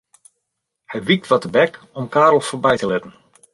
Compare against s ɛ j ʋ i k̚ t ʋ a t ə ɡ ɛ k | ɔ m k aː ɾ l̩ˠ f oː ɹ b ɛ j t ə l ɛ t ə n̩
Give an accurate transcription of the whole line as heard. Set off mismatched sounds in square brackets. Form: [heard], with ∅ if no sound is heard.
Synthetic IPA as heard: [h] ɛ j ʋ i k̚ t ʋ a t ə [b] ɛ k | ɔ m k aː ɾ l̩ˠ f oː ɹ b ɛ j t ə l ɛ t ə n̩

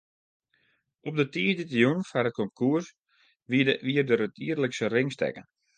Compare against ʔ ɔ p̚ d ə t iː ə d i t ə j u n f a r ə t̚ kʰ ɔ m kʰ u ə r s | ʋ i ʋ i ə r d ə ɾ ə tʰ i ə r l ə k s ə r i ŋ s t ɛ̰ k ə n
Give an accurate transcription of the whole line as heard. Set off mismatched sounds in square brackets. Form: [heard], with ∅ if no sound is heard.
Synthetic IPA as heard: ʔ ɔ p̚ d ə t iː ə d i t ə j u n f a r ə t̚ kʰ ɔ m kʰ u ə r s | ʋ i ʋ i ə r d ə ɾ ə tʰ i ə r l ə k s ə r [ɪ] ŋ s t ɛ̰ k ə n

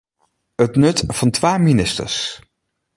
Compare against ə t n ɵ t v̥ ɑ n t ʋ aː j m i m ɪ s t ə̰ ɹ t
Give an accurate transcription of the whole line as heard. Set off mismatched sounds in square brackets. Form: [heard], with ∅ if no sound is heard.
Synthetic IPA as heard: ə t n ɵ t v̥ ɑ n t ʋ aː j m i [n] ɪ s t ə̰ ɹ [s]

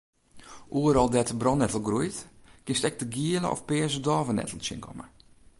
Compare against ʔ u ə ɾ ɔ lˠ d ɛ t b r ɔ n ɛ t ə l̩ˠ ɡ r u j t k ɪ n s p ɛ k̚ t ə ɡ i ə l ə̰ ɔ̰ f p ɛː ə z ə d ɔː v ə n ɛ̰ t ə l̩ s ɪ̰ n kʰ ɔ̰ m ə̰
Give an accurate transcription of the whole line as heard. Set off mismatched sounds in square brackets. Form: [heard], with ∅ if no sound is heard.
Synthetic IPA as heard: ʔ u ə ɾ ɔ lˠ d ɛ t b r ɔ n ɛ t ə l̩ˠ ɡ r u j t k ɪ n s [t] ɛ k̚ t ə ɡ i ə l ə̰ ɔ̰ f p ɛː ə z ə d ɔː v ə n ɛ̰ t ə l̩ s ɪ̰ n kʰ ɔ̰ m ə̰

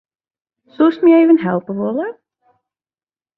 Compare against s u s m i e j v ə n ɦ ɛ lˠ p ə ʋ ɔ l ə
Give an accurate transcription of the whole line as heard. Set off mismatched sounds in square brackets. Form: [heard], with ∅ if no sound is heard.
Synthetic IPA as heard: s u s m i e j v ə n ɦ ɛ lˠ p ə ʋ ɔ l ə

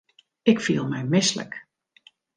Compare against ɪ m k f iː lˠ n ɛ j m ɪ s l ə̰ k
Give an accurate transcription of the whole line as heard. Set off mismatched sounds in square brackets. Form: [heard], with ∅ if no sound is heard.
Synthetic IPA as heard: ɪ [∅] k f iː lˠ [m] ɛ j m ɪ s l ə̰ k

